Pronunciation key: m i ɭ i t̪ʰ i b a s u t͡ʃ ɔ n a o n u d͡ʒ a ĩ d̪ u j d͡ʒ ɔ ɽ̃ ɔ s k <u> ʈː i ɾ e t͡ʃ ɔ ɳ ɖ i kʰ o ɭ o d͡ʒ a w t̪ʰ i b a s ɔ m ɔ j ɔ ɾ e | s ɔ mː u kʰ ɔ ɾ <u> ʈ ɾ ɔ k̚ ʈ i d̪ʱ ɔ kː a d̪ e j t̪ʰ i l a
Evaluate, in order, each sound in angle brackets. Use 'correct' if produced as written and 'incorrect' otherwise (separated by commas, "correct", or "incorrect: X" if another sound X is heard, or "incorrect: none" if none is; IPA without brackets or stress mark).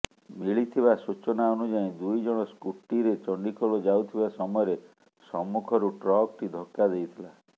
correct, correct